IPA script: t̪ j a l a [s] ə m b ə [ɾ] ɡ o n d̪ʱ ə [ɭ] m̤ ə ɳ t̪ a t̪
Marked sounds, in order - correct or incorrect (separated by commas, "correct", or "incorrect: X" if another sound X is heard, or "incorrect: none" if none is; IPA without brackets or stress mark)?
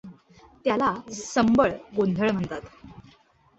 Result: correct, incorrect: ɭ, correct